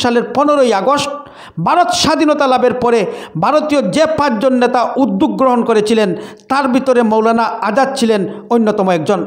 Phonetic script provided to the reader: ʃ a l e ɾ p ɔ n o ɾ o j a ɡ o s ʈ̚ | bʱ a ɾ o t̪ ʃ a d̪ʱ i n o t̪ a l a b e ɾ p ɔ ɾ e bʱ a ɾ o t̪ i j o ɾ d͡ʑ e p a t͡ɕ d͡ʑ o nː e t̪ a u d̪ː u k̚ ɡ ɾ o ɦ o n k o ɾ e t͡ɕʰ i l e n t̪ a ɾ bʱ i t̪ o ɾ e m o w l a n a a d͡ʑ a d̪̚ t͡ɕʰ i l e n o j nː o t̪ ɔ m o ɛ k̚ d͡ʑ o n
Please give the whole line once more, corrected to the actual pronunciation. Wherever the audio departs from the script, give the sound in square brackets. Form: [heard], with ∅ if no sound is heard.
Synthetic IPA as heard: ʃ a l e ɾ p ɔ n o ɾ o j a ɡ o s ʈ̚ | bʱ a ɾ o t̪ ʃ a d̪ʱ i n o t̪ a l a b e ɾ p ɔ ɾ e bʱ a ɾ o t̪ i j o [∅] d͡ʑ e p a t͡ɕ d͡ʑ o nː e t̪ a u d̪ː u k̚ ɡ ɾ o ɦ o n k o ɾ e t͡ɕʰ i l e n t̪ a ɾ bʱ i t̪ o ɾ e m o w l a n a a d͡ʑ a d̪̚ t͡ɕʰ i l e n o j nː o t̪ ɔ m o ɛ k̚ d͡ʑ o n